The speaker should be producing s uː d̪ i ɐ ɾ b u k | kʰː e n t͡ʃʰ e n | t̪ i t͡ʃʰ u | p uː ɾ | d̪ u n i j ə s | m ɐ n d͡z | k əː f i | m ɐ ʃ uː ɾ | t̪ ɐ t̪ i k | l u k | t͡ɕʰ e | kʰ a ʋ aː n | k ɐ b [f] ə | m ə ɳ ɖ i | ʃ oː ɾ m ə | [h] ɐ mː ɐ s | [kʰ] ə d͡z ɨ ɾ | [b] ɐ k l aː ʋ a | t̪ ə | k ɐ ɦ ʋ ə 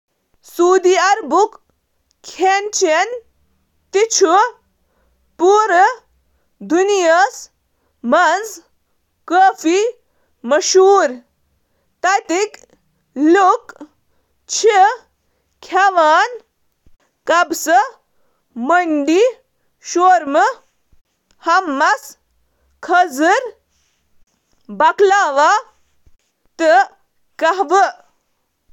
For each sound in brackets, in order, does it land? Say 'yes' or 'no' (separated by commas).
no, yes, yes, yes